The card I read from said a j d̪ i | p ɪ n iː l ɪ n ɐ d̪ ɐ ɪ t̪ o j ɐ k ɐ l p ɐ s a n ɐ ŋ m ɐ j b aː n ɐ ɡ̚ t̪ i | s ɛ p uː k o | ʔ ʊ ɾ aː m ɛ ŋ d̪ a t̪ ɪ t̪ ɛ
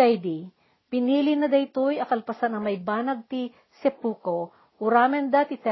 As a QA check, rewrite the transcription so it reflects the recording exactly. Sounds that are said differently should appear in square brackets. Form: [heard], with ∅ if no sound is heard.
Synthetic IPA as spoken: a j d̪ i | p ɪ n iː l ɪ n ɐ d̪ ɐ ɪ t̪ o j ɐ k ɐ l p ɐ s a n ɐ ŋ m ɐ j b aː n ɐ ɡ̚ t̪ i | s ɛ p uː k o | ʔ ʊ ɾ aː m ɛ [n] d̪ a t̪ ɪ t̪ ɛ